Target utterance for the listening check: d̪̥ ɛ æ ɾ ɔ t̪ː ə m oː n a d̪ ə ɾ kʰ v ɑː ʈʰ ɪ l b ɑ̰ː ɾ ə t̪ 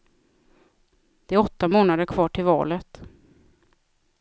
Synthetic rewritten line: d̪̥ ɛ æ ɾ ɔ t̪ː a m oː n a d̪ ə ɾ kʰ v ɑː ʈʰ ɪ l v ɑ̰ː l ə t̪